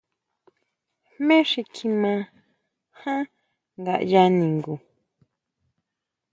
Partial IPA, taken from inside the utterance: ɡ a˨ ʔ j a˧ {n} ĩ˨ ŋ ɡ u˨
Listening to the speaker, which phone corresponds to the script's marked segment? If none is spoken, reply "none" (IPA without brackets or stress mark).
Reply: n